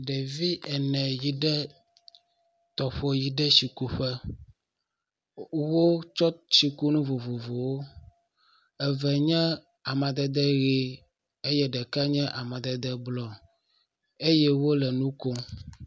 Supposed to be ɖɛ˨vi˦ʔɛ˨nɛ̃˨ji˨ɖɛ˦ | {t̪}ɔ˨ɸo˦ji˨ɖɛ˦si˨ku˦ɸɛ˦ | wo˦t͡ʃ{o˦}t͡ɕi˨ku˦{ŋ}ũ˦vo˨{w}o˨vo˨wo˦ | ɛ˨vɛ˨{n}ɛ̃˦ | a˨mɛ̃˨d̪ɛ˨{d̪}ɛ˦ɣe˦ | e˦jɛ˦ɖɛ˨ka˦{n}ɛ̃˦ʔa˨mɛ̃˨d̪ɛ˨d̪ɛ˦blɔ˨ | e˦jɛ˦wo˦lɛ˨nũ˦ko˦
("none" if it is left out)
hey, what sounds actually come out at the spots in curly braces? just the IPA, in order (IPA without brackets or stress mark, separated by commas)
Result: t̪, ɔ˦, n, v, ɲ, d̪, ɲ